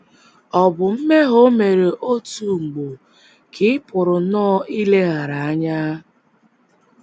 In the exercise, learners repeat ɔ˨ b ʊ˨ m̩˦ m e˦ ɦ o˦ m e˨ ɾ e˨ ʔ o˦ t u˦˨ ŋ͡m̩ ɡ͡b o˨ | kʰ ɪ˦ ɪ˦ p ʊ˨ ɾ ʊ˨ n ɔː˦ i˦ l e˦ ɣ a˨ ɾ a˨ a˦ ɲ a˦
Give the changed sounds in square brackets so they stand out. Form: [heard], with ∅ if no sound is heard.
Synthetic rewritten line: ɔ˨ b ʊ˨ m̩˦ m e˦ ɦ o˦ m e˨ ɾ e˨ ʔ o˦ t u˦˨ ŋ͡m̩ ɡ͡b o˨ | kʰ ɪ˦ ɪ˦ p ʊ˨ ɾ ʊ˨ n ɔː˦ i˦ l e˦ ɣ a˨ ɾ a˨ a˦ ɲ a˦

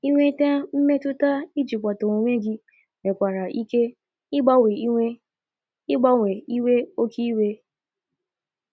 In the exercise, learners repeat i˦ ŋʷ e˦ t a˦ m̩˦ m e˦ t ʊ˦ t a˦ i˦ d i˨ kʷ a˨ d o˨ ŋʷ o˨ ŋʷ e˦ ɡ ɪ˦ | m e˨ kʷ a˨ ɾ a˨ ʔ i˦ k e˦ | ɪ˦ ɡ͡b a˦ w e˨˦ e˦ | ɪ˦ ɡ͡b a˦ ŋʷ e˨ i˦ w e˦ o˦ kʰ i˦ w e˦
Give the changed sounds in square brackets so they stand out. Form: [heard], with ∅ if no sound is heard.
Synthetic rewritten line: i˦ ŋʷ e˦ t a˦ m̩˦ m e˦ t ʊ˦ t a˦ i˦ [d͡ʒ] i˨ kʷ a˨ [t] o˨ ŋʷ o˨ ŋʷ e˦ ɡ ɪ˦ | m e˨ kʷ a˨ ɾ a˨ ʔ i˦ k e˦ | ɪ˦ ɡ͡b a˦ w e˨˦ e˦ | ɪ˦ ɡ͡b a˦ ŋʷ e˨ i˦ w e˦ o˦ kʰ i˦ w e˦

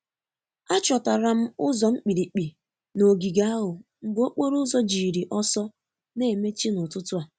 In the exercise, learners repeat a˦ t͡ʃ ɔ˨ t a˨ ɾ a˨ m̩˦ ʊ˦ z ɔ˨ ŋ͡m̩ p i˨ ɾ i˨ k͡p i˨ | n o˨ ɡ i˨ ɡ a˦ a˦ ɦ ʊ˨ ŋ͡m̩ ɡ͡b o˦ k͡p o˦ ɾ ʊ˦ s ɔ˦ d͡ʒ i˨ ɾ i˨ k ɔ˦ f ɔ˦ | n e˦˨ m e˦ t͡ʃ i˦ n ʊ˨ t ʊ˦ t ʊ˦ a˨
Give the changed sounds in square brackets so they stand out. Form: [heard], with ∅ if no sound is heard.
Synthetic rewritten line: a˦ t͡ʃ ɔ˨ t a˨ ɾ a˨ m̩˦ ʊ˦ z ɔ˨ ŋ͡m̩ [k͡p] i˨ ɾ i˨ k͡p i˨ | n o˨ ɡ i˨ ɡ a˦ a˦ ɦ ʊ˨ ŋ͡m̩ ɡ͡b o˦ k͡p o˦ ɾ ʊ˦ [z] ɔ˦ d͡ʒ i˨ ɾ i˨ [ʔ] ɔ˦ [s] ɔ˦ | n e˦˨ m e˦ t͡ʃ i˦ n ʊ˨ t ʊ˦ t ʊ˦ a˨

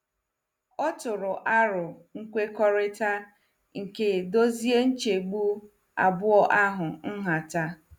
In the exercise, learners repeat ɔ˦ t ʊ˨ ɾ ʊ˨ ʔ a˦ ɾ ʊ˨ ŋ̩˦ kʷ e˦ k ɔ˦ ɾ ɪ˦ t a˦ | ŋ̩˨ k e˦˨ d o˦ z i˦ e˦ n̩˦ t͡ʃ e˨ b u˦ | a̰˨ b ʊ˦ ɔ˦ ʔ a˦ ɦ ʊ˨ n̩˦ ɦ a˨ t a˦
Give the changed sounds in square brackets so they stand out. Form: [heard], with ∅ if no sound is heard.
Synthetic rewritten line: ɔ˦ t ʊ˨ ɾ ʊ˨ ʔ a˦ ɾ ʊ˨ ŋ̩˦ kʷ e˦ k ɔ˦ ɾ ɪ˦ t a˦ | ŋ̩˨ k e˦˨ d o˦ z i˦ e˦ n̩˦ t͡ʃ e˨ [ɡ͡b] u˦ | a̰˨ b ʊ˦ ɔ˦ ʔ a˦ ɦ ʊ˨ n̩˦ ɦ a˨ t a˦

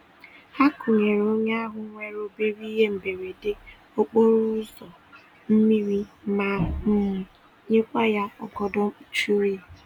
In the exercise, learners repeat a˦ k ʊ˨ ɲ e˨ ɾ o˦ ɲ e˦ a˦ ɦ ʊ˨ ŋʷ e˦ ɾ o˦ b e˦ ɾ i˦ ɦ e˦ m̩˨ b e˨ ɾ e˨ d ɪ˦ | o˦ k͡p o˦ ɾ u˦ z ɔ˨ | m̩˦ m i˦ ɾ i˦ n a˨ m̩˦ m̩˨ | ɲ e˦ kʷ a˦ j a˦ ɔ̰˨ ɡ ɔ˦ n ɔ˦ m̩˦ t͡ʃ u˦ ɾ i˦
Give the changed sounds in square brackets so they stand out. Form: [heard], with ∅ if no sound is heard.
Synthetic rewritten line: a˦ k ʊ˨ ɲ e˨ ɾ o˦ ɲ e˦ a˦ ɦ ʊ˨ ŋʷ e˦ ɾ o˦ b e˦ ɾ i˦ ɦ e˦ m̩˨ b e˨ ɾ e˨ d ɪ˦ | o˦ k͡p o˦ ɾ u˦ z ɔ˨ | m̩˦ m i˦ ɾ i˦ [m] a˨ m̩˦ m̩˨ | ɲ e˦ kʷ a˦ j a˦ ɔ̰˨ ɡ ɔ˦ [d] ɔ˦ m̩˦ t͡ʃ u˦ ɾ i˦

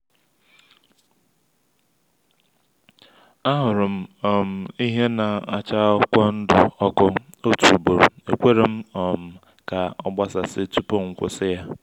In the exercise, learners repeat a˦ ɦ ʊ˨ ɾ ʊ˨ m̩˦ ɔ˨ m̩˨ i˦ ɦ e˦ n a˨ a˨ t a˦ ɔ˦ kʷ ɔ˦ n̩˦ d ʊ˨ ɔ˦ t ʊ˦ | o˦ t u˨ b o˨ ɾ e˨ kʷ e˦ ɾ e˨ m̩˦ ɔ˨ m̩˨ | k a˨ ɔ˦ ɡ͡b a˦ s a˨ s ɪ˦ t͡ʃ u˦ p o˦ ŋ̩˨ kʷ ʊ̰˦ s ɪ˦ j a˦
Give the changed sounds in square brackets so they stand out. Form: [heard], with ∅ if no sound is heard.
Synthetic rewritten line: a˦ ɦ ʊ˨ ɾ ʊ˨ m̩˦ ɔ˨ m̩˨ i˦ ɦ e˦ n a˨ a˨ [t͡ʃ] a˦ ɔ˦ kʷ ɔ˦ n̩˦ d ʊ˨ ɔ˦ [k] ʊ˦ | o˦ t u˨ b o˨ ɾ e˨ kʷ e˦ ɾ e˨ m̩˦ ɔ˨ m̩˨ | k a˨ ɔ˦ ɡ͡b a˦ s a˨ s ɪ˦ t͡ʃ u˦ p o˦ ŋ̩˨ kʷ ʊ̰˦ s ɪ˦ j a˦

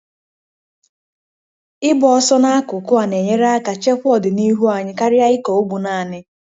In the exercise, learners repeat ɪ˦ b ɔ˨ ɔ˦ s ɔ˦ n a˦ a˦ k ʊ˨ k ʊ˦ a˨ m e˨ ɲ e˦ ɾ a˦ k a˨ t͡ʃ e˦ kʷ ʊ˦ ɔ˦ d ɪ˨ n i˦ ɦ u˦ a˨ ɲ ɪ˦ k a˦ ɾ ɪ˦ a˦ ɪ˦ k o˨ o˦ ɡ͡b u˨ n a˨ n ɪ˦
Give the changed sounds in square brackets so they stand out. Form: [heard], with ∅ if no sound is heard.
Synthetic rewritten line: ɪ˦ b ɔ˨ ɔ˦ s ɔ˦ n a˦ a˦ k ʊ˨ k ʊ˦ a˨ [n] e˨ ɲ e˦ ɾ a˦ k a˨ t͡ʃ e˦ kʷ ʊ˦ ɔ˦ d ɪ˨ n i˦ ɦ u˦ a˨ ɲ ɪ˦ k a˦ ɾ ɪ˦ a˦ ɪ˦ k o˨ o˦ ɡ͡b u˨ n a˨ n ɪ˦

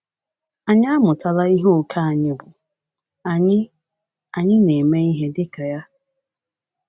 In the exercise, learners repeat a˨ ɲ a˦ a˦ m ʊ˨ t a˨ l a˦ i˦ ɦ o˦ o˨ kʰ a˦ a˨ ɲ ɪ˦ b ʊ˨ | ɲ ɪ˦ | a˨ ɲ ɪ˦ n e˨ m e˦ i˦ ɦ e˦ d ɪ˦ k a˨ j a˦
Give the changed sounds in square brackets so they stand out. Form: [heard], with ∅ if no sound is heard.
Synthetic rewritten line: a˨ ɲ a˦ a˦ m ʊ˨ t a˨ l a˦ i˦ ɦ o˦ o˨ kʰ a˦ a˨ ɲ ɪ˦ b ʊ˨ | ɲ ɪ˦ | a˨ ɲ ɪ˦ n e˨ m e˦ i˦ ɦ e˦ d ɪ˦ k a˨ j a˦

